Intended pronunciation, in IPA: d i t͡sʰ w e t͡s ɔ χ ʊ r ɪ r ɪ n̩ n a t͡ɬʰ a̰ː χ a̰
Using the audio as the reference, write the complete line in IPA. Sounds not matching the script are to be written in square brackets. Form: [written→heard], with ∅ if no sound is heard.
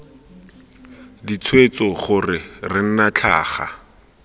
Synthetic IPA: d i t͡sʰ w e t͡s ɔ χ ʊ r ɪ r ɪ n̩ n a t͡ɬʰ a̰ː χ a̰